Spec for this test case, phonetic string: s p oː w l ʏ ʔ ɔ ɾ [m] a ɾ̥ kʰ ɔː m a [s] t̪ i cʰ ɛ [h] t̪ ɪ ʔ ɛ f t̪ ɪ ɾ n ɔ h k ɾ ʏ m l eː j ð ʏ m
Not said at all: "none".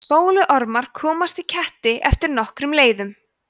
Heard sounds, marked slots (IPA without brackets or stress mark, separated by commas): m, s, h